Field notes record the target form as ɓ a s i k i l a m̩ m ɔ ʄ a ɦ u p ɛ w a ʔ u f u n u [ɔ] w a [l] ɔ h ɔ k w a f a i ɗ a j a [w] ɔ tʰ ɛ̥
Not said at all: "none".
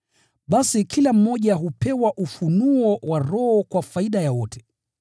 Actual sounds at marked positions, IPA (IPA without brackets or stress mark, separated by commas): ɔ, ɾ, w